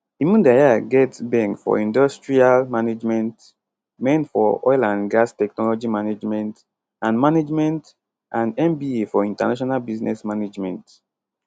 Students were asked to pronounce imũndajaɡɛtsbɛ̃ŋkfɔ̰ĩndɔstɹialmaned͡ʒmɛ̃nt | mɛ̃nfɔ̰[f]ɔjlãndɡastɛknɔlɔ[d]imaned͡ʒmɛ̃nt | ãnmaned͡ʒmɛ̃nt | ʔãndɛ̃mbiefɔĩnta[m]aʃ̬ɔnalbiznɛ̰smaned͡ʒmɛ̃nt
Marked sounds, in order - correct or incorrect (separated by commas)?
incorrect, incorrect, incorrect